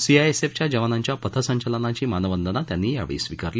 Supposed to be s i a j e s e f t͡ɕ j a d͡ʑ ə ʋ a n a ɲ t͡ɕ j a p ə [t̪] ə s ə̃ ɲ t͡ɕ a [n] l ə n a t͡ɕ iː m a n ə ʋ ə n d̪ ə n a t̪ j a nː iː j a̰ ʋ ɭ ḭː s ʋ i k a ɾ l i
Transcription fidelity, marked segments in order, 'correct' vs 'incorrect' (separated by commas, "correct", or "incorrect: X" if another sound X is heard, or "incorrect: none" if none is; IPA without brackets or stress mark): incorrect: t̪ʰ, incorrect: none